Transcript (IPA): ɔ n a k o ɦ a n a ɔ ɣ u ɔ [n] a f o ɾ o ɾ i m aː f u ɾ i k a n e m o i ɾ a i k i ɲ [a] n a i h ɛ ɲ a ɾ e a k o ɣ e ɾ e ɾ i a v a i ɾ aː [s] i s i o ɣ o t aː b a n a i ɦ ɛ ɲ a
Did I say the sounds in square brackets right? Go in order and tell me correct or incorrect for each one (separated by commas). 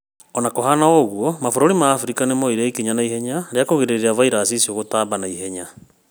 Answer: incorrect, correct, correct